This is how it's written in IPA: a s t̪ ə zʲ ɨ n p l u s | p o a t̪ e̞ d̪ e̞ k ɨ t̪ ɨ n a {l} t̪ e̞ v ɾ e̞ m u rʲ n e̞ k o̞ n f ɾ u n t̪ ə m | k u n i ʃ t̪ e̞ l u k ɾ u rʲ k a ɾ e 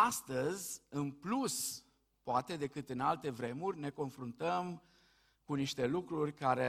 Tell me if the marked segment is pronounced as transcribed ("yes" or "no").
yes